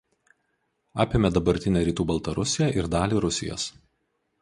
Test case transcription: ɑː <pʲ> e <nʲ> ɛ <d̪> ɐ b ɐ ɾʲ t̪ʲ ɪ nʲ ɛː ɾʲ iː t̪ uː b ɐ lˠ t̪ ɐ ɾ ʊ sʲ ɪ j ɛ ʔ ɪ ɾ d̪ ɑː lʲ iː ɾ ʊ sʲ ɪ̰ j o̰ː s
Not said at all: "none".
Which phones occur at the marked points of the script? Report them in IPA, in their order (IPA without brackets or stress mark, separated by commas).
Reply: pʲ, mʲ, d̪